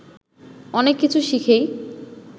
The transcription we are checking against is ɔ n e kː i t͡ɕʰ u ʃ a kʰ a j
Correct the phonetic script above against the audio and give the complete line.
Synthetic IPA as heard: ɔ n e kː i t͡ɕʰ u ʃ i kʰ e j